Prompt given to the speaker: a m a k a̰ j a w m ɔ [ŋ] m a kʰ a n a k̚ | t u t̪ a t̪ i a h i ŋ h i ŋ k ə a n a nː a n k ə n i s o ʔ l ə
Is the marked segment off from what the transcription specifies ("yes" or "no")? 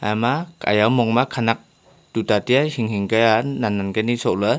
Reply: no